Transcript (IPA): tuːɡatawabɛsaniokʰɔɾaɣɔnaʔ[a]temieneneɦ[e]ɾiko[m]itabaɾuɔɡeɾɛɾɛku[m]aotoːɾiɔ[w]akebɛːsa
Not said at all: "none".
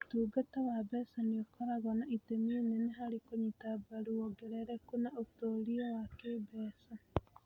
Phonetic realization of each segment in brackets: i, a, ɲ, n, w

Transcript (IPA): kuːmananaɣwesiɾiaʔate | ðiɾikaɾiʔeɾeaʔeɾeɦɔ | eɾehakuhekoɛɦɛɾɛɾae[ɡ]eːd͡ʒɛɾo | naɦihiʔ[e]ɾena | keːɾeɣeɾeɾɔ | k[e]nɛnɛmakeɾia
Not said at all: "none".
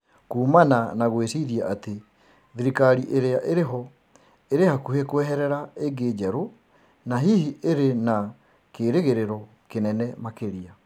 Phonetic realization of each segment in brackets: ɡ, e, e

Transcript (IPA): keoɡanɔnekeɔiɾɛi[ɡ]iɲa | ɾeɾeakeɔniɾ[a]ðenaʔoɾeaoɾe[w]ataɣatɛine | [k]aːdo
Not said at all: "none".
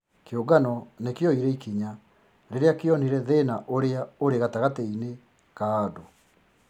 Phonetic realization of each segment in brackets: k, ɛ, ɣ, k

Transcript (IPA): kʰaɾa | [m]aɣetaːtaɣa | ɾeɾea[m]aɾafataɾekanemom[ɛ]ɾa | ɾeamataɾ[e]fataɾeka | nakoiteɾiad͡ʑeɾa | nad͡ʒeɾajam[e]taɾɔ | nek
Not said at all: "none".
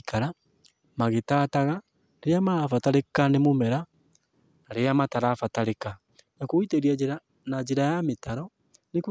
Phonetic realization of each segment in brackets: m, m, ɛ, a, e

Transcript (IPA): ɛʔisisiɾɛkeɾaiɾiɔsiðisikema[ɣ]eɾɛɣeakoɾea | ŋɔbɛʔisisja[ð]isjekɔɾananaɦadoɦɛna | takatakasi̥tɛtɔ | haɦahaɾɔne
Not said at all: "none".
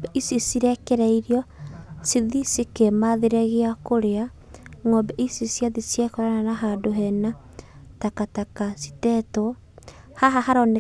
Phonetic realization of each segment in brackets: ð, ð

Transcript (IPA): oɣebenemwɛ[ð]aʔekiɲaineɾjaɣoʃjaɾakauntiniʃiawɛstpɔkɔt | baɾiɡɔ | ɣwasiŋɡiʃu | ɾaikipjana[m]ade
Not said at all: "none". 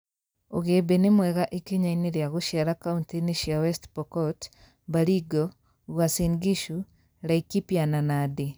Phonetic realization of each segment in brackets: ɣ, n

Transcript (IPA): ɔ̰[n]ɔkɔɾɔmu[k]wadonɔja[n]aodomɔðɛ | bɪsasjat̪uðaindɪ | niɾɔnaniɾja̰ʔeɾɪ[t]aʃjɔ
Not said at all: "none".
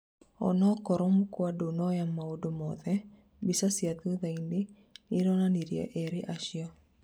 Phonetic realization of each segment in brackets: n, k, m, ʔ

